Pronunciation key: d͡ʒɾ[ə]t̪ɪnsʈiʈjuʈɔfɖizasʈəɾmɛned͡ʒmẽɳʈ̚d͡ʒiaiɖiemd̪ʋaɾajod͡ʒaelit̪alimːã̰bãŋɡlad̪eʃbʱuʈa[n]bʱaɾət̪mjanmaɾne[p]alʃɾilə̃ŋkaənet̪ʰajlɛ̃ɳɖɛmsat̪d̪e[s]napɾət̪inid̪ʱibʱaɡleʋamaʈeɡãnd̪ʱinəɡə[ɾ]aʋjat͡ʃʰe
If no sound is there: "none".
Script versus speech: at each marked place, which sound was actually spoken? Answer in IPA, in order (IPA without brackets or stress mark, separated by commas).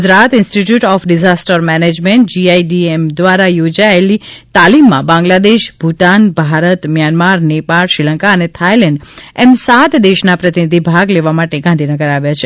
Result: a, n, p, ʃ, ɾ